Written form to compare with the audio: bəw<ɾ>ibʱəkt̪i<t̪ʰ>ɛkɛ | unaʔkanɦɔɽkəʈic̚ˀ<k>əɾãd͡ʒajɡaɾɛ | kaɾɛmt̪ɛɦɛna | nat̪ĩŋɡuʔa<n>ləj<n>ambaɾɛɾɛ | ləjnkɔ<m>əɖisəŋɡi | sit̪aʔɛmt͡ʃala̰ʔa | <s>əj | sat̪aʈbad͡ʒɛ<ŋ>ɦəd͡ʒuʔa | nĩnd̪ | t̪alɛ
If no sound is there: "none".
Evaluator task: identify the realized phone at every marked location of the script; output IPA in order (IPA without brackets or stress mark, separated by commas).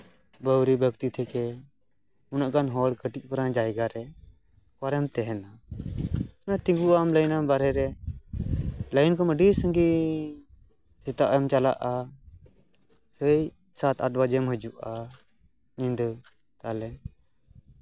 ɾ, t̪ʰ, p, m, n, m, s, m